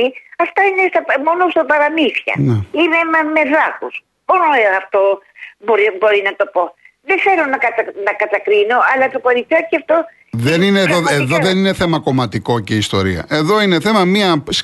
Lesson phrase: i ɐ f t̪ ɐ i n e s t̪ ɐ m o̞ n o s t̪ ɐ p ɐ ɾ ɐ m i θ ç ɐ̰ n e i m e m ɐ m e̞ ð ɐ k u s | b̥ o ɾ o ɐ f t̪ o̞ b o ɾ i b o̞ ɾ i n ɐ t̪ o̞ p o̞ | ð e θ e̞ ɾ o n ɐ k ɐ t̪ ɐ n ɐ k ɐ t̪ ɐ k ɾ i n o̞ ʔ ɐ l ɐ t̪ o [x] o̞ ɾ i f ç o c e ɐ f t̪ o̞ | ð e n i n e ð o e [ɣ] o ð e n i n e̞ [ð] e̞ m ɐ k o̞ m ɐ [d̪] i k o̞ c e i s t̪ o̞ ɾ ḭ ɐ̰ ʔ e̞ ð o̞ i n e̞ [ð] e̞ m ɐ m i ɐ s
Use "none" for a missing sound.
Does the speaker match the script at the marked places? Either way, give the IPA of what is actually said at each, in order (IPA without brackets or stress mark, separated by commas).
k, ð, θ, t̪, θ